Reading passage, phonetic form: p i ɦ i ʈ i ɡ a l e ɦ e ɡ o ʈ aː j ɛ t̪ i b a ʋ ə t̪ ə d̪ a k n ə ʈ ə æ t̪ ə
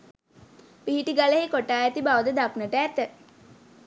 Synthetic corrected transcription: p i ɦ i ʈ i ɡ a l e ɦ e k o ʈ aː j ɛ t̪ i b a ʋ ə d̪ ə d̪ a k n ə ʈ ə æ t̪ ə